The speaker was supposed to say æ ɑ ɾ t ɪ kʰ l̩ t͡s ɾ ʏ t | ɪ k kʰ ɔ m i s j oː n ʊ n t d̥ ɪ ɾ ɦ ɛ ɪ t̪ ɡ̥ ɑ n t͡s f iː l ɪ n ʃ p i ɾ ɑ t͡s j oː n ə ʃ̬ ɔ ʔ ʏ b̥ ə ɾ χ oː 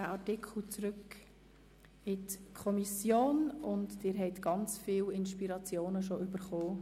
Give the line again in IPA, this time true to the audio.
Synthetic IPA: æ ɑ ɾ t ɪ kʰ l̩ t͡s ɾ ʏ k | ɪ t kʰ ɔ m i s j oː n ʊ n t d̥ ɪ ɾ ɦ ɛ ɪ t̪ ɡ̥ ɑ n t͡s f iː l ɪ n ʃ p i ɾ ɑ t͡s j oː n ə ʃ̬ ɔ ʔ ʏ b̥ ə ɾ χ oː

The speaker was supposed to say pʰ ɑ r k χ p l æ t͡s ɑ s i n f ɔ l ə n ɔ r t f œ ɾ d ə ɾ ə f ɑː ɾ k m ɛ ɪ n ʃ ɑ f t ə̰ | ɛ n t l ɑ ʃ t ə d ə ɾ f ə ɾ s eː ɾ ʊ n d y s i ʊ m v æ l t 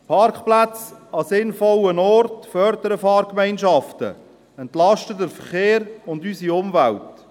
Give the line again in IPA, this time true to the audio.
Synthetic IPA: pʰ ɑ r k χ p l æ t͡s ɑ s ɪ n f ɔ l ə n ɔ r t f œ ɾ d ə ɾ ə f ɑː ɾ k m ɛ ɪ n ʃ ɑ f t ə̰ | ɛ n t l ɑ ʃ t ə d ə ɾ f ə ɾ χ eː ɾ ʊ n d y s i ʊ m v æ l t

